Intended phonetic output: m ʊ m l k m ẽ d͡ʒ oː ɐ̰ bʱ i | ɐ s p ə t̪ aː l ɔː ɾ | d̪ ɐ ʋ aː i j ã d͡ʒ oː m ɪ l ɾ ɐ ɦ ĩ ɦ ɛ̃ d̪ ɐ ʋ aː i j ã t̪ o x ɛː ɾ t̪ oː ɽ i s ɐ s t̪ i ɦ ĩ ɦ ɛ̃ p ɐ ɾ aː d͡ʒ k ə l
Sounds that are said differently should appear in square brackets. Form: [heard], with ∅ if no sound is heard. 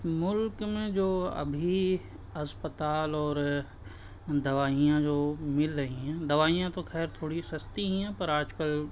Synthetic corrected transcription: m ʊ [∅] l k m ẽ d͡ʒ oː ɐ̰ bʱ i | ɐ s p ə t̪ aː l ɔː ɾ | d̪ ɐ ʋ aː i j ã d͡ʒ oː m ɪ l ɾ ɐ ɦ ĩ ɦ ɛ̃ d̪ ɐ ʋ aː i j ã t̪ o x ɛː ɾ [t̪ʰ] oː ɽ i s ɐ s t̪ i ɦ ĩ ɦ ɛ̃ p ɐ ɾ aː d͡ʒ k ə l